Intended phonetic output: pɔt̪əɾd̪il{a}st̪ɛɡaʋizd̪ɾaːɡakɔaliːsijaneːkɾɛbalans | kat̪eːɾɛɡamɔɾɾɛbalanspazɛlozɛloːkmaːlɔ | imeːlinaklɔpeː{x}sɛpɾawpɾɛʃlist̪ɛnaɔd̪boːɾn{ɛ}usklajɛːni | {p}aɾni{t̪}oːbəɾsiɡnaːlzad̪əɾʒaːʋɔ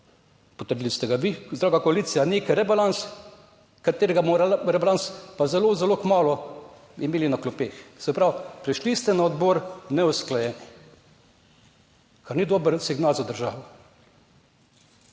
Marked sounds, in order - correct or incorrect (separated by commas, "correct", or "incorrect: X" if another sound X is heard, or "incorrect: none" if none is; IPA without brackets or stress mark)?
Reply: incorrect: i, correct, correct, incorrect: k, incorrect: d̪